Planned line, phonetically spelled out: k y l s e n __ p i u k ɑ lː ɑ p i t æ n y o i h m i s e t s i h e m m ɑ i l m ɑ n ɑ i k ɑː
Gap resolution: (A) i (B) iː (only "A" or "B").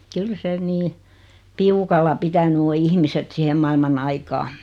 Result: B